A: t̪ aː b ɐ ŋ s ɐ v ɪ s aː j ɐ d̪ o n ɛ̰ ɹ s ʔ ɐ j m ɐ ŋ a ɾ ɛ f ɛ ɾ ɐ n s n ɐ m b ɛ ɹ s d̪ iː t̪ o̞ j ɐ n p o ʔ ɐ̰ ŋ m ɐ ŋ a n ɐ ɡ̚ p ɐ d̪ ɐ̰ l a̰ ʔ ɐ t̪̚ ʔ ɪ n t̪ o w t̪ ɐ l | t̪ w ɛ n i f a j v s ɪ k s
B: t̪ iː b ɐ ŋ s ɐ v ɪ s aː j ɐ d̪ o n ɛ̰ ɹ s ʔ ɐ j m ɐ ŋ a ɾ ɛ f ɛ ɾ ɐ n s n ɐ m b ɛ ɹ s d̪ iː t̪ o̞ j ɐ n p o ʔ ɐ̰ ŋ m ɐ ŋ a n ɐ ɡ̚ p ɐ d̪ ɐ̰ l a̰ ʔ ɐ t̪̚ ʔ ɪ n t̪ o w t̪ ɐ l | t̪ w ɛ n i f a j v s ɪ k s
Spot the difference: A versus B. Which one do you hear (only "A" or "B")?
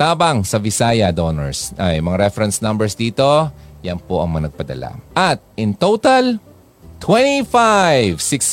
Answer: A